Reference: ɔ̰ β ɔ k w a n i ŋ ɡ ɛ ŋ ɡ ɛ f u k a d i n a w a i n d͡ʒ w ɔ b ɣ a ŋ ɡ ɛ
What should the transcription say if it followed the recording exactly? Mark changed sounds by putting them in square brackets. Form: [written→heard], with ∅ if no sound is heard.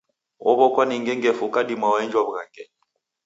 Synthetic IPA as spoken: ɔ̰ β ɔ k w a n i ŋ ɡ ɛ ŋ ɡ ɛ f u k a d i [n→m] a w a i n d͡ʒ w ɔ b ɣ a ŋ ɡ ɛ